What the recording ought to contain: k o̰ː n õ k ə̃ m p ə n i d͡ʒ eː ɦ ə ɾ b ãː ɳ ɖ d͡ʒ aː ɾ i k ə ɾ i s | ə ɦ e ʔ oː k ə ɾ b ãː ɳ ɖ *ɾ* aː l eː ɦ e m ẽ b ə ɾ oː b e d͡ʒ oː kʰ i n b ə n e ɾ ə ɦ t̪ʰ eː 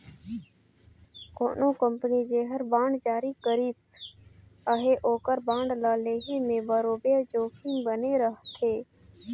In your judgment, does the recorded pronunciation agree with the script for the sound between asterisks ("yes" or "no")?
no